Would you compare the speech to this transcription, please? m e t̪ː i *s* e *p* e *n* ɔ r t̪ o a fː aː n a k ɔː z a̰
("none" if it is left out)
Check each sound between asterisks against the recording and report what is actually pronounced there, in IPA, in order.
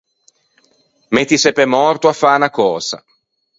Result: s, p, m

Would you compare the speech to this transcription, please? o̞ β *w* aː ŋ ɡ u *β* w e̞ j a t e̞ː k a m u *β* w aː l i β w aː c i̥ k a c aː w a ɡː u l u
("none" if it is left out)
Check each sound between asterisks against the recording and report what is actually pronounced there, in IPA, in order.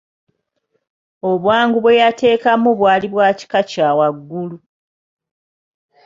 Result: w, β, β

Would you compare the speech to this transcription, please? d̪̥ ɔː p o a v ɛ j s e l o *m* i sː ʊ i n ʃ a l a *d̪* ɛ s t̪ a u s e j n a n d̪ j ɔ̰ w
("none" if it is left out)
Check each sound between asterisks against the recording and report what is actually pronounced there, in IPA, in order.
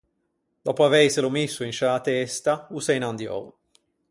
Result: m, t̪

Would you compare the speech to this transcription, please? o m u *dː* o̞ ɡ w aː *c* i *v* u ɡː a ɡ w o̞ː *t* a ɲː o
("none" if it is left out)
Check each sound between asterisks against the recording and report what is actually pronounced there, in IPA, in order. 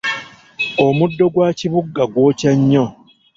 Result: dː, c, β, c

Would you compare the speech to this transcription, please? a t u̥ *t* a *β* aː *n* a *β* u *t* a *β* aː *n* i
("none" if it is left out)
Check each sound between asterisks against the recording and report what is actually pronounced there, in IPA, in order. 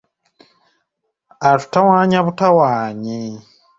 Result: t, w, ɲ, β, t, w, ɲ

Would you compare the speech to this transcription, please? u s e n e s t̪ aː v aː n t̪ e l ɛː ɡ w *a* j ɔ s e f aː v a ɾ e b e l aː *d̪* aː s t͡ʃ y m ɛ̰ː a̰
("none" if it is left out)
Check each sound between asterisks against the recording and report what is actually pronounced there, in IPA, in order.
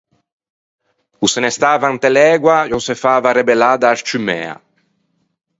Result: a, d̪

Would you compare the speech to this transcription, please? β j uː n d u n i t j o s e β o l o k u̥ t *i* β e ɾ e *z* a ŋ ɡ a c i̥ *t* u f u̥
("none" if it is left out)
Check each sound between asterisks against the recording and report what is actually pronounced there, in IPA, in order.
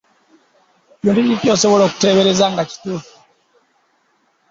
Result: e, z, t

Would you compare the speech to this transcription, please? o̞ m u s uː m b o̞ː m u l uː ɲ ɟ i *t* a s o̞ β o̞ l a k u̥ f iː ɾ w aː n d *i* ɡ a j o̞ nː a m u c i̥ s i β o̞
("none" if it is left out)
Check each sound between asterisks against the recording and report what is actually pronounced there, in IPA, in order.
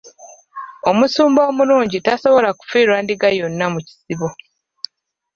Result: t, i

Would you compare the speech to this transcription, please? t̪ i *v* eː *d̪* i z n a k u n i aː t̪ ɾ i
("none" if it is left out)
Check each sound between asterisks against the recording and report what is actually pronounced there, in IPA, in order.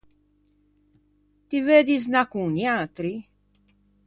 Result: v, d̪

